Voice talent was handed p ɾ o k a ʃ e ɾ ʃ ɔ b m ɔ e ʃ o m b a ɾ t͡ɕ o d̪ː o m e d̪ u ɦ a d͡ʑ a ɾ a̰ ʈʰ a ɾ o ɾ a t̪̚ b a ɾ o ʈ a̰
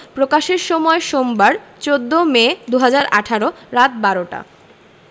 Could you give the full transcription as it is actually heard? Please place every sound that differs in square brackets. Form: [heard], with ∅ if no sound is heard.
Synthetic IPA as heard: p ɾ o k a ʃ e ɾ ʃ ɔ [∅] m ɔ e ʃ o m b a ɾ t͡ɕ o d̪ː o m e d̪ u ɦ a d͡ʑ a ɾ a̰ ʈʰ a ɾ o ɾ a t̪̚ b a ɾ o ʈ a̰